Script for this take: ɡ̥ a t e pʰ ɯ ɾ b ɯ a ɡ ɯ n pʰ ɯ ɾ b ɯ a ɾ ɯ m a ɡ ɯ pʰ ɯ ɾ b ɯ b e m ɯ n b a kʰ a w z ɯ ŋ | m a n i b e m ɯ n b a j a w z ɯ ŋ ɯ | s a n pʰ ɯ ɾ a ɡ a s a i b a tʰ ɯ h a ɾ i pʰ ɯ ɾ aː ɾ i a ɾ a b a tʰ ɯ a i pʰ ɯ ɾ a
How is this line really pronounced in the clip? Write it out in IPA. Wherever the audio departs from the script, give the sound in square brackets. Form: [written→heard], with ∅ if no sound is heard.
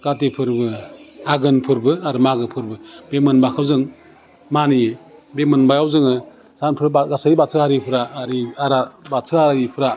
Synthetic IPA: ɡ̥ a t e pʰ ɯ ɾ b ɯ a ɡ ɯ n pʰ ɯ ɾ b ɯ a ɾ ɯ m a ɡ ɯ pʰ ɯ ɾ b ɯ b e m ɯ n b a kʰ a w z ɯ ŋ | m a n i b e m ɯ n b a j a w z ɯ ŋ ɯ | s a n pʰ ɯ ɾ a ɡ a s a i b a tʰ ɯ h a ɾ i pʰ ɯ ɾ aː ɾ i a ɾ a b a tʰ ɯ a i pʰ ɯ ɾ a